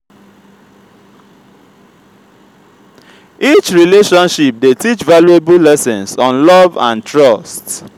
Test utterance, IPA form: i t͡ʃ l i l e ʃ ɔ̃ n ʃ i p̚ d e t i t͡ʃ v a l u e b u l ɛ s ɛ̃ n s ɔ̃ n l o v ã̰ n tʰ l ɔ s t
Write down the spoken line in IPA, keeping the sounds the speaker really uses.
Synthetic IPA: i t͡ʃ ɹ i l e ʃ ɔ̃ n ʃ i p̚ d e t i t͡ʃ v a l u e b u l ɛ s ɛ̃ n s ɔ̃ n l ɔ v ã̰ n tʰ ɹ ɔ s t